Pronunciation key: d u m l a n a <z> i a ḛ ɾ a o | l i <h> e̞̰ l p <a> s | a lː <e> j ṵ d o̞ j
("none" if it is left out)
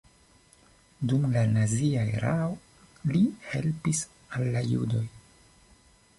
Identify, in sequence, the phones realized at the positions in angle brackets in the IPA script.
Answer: z, h, i, a

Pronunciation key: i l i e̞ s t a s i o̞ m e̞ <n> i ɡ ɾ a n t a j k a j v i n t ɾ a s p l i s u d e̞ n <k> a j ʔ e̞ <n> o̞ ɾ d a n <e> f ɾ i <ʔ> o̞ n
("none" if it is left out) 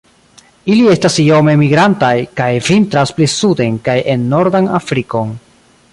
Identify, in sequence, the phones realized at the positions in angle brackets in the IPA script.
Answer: m, k, nː, a, k

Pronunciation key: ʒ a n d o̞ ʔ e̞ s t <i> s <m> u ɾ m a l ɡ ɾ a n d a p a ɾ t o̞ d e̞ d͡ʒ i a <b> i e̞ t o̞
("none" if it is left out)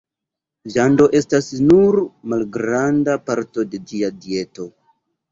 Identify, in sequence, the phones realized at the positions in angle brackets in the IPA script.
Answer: a, n, d

